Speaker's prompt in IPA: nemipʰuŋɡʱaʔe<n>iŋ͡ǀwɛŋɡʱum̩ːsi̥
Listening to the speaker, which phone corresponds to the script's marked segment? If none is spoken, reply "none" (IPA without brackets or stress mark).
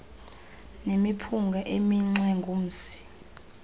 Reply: m